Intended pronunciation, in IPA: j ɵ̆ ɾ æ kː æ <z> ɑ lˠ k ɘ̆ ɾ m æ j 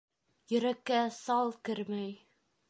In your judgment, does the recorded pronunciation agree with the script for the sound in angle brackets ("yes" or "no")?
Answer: no